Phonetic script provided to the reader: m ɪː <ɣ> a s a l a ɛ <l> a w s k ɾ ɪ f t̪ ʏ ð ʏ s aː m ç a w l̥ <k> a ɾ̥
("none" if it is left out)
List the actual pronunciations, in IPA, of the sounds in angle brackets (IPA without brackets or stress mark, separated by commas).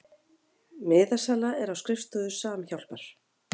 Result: ð, ɾ, p